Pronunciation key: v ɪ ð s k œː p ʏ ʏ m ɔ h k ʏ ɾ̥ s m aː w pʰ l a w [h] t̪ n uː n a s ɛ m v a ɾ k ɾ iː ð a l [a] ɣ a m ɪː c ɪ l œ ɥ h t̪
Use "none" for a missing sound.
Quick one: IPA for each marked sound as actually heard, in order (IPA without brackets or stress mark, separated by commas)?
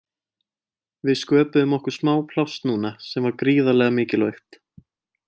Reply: s, ɛ